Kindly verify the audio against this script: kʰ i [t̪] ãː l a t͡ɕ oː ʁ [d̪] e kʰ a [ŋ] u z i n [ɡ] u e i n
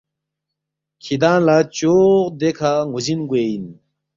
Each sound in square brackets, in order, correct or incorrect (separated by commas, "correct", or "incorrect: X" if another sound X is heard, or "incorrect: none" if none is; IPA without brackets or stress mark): incorrect: d̪, correct, correct, correct